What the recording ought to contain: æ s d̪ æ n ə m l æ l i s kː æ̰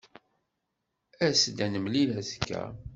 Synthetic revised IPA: æ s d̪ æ n ə m l i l æ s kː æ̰